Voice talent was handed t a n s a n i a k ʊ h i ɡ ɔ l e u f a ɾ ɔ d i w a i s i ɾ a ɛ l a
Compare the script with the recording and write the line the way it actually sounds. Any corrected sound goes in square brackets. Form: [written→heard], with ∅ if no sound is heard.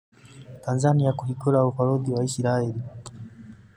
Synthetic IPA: t a n [s→z] a n i a k [ʊ→u] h i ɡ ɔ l [e→a] u f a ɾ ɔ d i w a i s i ɾ a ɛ l [a→i]